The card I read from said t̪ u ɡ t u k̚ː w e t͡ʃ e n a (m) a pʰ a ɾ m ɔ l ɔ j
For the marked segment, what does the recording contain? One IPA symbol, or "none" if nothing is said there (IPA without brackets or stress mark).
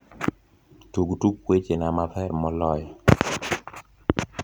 m